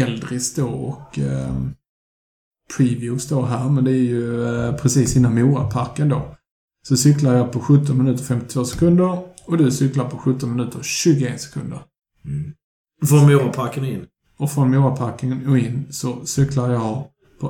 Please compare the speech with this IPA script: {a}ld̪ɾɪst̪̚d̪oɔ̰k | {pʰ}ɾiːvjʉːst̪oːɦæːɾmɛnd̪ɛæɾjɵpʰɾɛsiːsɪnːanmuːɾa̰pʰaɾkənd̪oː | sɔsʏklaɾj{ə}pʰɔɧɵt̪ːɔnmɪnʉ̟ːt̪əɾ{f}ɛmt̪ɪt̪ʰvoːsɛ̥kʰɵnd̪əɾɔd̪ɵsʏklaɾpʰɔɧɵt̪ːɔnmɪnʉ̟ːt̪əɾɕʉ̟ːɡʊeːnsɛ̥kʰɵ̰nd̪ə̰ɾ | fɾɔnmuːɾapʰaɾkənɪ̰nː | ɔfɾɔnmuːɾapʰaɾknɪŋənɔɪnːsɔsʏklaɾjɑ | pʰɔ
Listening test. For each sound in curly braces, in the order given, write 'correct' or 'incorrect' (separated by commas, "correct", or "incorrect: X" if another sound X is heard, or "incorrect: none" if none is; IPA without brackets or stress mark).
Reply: incorrect: ɛ, correct, incorrect: ɑ, correct